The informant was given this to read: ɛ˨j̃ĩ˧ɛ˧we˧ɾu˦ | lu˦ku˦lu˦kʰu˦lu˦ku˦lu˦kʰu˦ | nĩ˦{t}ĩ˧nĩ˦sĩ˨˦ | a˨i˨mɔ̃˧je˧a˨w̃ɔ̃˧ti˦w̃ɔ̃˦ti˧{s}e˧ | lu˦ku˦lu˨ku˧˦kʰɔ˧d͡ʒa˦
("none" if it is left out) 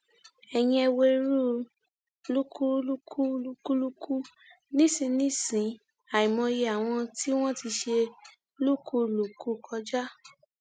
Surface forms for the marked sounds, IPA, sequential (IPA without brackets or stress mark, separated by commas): s, ʃ